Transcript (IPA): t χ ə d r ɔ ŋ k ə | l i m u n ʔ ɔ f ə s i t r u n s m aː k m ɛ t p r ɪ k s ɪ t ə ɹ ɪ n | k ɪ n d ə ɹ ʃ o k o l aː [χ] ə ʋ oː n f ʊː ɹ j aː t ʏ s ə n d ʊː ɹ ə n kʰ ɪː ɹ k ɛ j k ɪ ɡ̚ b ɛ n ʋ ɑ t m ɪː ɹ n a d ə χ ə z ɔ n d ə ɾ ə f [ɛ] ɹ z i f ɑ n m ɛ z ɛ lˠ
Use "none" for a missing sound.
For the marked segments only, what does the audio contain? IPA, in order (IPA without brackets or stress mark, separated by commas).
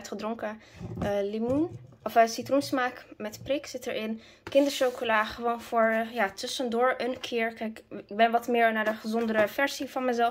χ, ɛ